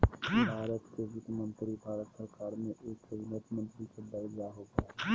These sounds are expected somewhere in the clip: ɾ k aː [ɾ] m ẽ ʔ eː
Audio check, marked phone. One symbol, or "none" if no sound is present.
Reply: ɾ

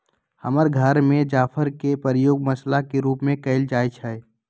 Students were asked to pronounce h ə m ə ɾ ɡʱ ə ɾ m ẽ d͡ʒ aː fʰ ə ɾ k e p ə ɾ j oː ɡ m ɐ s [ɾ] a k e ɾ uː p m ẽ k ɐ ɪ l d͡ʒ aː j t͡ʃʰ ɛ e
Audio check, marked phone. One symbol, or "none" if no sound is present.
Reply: l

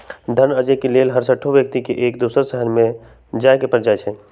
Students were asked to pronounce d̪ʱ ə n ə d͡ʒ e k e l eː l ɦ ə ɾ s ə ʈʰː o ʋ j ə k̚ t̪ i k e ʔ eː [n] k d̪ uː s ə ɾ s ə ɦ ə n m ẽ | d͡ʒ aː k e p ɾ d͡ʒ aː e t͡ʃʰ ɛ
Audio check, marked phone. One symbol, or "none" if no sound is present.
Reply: none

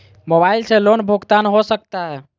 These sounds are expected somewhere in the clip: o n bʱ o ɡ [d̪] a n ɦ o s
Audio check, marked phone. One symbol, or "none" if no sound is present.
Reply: t̪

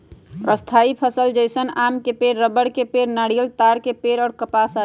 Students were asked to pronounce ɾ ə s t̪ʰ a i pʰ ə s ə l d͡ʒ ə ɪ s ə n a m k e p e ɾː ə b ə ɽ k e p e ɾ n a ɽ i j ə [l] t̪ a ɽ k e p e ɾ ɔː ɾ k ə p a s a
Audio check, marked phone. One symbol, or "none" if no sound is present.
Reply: l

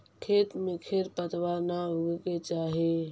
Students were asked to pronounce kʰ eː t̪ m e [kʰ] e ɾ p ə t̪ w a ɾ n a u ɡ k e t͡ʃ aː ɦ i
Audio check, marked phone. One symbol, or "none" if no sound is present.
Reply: kʰ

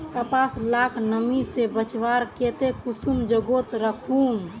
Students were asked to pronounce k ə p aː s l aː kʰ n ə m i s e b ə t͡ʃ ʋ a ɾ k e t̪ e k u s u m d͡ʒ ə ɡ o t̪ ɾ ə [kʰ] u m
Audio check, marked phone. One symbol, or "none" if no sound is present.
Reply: kʰ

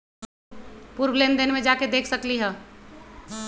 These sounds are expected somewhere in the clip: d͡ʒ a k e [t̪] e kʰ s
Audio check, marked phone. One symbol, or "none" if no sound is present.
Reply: d̪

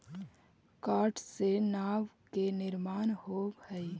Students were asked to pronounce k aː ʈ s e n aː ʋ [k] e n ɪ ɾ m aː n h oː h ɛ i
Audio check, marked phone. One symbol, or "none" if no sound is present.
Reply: k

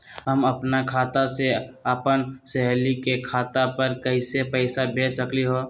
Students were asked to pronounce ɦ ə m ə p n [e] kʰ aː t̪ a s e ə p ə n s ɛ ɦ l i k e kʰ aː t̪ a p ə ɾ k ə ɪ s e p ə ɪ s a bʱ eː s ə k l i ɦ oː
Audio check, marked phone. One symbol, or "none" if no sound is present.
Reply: a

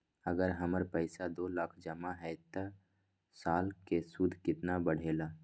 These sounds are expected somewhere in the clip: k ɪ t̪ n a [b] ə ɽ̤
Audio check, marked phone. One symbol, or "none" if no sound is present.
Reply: b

